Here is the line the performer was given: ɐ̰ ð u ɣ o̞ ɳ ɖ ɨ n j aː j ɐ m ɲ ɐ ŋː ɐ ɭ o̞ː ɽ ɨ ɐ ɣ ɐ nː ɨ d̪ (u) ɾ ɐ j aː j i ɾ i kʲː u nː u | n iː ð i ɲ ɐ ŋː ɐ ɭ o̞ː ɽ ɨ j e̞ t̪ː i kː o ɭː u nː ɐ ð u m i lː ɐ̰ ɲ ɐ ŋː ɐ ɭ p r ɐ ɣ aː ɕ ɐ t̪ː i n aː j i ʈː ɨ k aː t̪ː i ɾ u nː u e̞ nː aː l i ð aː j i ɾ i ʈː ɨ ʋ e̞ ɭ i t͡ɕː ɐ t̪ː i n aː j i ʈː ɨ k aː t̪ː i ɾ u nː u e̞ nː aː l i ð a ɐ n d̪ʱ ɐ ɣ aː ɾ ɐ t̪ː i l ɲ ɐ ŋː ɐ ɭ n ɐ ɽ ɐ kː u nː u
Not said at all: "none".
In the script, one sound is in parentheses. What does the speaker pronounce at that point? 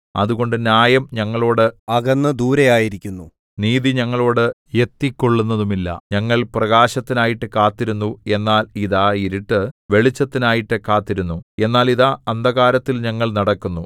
uː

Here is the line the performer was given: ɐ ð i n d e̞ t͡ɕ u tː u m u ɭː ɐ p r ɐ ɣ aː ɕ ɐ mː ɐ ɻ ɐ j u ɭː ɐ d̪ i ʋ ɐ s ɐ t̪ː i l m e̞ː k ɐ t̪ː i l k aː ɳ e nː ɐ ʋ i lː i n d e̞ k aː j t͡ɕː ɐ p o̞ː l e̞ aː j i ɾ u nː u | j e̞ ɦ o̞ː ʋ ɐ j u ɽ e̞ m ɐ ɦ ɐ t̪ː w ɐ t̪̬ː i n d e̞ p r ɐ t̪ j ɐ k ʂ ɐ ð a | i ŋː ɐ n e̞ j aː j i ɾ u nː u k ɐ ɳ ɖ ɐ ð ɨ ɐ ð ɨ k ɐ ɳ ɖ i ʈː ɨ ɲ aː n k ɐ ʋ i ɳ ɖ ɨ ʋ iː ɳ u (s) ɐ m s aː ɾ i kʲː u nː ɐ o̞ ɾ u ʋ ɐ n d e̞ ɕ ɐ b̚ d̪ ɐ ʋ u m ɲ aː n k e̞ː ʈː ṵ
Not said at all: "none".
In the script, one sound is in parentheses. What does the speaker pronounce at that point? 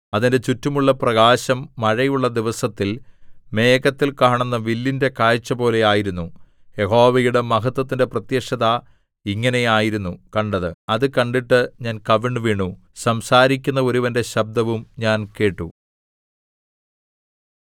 s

